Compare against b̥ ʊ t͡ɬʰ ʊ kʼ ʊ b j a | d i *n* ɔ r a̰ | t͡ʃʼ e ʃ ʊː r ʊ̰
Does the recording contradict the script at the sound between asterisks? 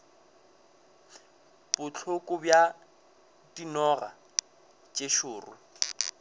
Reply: no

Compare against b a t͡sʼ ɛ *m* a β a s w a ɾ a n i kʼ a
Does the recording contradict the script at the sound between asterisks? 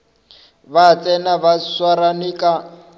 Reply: yes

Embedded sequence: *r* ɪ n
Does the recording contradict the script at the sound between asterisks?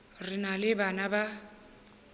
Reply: no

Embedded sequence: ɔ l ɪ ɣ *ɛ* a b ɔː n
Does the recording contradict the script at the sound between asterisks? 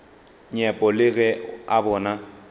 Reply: no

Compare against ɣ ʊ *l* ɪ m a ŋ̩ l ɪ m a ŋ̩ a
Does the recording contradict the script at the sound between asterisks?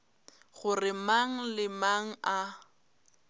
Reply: yes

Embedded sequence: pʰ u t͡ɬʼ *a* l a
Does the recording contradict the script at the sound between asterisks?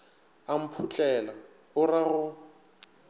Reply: yes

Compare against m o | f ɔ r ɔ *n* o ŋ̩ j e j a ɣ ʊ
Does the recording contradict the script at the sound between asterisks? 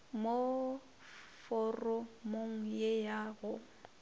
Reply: yes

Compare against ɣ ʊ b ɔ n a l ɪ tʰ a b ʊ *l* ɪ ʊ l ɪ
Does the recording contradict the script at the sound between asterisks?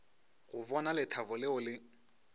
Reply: no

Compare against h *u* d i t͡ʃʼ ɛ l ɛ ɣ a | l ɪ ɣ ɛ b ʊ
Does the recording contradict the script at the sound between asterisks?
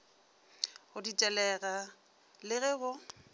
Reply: yes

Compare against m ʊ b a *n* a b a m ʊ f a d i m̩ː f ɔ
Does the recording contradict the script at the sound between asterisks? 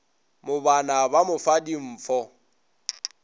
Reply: no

